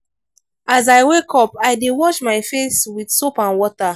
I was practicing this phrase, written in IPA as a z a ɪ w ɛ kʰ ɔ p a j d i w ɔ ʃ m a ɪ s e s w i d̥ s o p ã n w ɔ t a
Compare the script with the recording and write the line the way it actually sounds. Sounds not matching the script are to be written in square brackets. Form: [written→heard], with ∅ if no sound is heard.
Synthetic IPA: a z a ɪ w [ɛ→e] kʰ ɔ p a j d [i→e] w ɔ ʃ m a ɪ [s→f] e s w i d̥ s o p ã n w ɔ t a